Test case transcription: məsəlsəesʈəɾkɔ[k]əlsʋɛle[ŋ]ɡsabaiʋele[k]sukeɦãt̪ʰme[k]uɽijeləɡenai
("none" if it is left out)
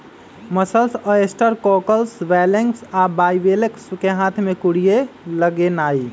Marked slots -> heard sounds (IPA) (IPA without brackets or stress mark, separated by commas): k, ŋ, k, k